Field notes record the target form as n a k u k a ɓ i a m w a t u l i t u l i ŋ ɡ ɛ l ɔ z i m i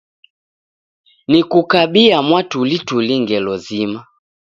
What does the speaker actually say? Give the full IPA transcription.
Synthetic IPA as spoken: n i k u k a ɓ i a m w a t u l i t u l i ŋ ɡ ɛ l ɔ z i m a